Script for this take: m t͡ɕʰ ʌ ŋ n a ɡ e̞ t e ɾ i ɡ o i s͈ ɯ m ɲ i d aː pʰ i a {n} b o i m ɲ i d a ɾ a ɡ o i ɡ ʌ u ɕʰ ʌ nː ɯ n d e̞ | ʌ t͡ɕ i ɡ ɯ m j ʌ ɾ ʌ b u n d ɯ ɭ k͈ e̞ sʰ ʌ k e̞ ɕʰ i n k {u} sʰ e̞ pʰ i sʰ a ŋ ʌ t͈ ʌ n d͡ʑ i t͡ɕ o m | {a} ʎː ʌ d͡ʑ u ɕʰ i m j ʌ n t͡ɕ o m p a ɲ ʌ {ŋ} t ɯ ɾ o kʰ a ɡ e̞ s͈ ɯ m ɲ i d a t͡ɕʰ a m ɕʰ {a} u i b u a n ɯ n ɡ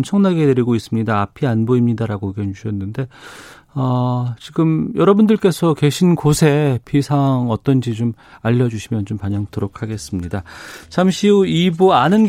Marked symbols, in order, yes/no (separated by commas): yes, no, yes, yes, no